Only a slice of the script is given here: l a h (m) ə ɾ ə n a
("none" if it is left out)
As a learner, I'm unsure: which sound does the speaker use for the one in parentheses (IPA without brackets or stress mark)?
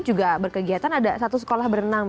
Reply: b